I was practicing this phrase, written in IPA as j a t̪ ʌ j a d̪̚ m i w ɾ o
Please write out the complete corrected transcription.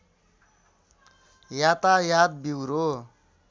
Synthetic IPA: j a t̪ a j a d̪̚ b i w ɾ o